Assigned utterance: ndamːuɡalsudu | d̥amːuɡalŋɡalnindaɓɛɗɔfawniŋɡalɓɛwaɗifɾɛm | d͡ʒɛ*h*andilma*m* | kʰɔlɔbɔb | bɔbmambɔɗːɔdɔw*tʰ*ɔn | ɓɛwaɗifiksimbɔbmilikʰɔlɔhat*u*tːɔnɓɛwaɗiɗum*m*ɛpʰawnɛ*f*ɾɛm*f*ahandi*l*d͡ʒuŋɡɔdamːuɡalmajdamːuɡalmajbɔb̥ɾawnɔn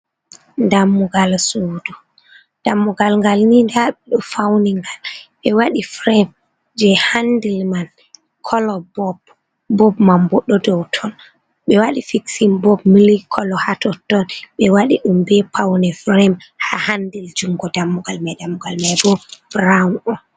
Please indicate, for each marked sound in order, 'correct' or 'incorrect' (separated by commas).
correct, incorrect, correct, incorrect, incorrect, correct, incorrect, correct